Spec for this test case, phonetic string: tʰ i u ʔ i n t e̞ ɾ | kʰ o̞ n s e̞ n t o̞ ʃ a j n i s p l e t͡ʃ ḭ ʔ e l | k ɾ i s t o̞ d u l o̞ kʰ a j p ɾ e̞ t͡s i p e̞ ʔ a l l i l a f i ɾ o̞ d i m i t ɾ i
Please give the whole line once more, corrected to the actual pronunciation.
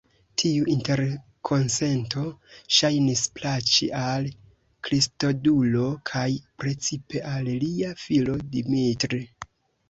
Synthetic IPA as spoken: tʰ i u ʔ i n t e̞ ɾ | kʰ o̞ n s e̞ n t o̞ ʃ a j n i s p l a t͡ʃ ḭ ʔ a l | k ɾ i s t o̞ d u l o̞ kʰ a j p ɾ e̞ t͡s i p e̞ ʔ a l l i a f i l o̞ d i m i t ɾ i

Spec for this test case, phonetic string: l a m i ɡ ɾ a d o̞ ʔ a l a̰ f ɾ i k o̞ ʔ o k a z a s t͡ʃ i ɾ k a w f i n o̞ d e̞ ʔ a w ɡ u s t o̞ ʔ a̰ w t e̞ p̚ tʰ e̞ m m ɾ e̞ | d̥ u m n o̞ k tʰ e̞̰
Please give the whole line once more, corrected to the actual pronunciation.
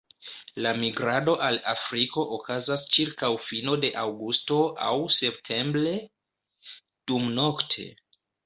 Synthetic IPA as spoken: l a m i ɡ ɾ a d o̞ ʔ a l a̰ f ɾ i k o̞ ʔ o k a z a s t͡ʃ i ɾ k a w f i n o̞ d e̞ ʔ a w ɡ u s t o̞ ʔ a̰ w s e̞ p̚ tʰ e̞ m b ɾ e̞ | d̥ u m n o̞ k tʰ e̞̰

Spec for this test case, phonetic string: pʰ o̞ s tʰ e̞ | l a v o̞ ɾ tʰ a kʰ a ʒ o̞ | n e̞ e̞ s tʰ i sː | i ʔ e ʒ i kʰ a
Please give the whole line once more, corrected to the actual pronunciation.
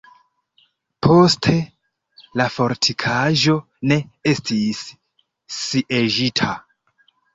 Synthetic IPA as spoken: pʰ o̞ s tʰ e̞ | l a f o̞ ɾ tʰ i kʰ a ʒ o̞ | n e̞ e̞ s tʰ i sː | i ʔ e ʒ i tʰ a

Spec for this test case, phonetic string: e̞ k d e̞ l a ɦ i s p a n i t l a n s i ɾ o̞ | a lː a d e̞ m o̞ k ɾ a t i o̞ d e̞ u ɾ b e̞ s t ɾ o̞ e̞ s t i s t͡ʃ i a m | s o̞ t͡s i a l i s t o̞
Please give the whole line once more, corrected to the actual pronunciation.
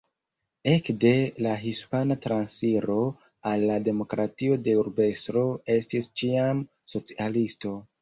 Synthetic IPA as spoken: e̞ k d e̞ l a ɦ i s p a n a t ɾ a n s i ɾ o̞ | a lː a d e̞ m o̞ k ɾ a t i o̞ d e̞ u ɾ b e̞ s t ɾ o̞ e̞ s t i s t͡ʃ i a m | s o̞ t͡s i a l i s t o̞

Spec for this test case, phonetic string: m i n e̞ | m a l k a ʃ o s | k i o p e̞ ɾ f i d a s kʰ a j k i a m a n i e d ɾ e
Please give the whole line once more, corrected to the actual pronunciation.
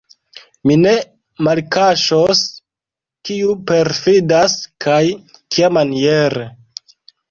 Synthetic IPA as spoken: m i n e̞ | m a l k a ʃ o s | k i u p e̞ ɾ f i d a s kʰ a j k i a m a n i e ɾ e

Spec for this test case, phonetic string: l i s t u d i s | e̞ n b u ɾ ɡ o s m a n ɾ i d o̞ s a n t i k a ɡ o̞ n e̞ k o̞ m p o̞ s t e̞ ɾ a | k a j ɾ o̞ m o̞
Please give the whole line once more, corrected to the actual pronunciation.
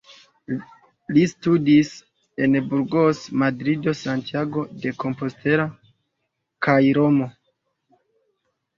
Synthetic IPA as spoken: l i s t u d i s | e̞ n b u ɾ ɡ o s m a d ɾ i d o̞ s a n t i a ɡ o̞ d e̞ k o̞ m p o̞ s t e̞ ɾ a | k a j ɾ o̞ m o̞

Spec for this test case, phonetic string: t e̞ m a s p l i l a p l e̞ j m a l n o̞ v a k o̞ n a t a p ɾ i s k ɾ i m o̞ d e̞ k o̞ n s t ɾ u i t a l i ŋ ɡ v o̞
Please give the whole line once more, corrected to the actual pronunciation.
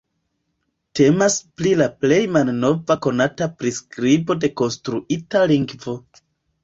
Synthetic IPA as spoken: t e̞ m a s p l i l a p l e̞ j m a l n o̞ v a k o̞ n a t a p ɾ i s k ɾ i b o̞ d e̞ k o̞ n s t ɾ u i t a l i ŋ ɡ v o̞

